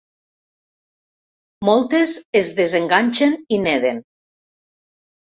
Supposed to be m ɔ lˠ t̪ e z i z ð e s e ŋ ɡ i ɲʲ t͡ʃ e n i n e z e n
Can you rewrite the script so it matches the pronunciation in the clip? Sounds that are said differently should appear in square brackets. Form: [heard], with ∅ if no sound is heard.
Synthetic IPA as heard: m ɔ lˠ t̪ e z [e] z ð e [z] e ŋ ɡ [a] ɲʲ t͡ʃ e n i n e [ð] e n